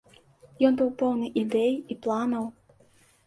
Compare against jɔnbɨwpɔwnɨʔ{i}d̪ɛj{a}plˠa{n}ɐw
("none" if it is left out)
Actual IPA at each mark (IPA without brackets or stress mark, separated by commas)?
i, i, n